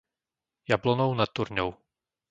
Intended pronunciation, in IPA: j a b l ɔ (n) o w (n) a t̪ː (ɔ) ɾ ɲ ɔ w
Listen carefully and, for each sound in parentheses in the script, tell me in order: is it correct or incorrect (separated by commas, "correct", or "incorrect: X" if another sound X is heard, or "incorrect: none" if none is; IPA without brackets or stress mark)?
correct, correct, incorrect: u